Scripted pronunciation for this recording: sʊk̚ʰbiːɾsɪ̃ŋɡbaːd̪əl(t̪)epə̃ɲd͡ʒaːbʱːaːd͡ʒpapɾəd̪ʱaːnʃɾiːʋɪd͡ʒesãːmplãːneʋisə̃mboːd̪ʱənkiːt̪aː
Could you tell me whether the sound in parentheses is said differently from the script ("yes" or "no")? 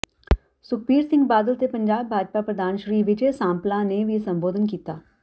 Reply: no